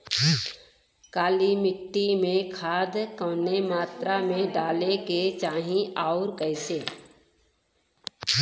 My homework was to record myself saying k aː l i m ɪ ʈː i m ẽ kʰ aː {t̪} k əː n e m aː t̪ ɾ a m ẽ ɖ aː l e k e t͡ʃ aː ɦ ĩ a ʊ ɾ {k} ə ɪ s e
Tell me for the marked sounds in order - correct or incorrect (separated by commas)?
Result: incorrect, correct